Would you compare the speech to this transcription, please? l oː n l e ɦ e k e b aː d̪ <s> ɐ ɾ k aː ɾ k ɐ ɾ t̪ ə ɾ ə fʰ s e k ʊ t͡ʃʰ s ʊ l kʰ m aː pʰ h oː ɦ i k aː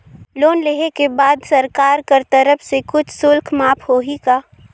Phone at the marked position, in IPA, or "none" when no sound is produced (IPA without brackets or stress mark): s